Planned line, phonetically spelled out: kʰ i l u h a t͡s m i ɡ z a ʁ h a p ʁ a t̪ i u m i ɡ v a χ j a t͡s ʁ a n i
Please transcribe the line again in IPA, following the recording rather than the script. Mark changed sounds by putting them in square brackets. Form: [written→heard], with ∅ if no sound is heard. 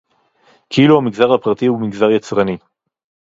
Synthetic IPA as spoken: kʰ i l u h a [t͡s→∅] m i ɡ z a ʁ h a p ʁ a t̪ i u m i ɡ [v→z] a [χ→ʁ] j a t͡s ʁ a n i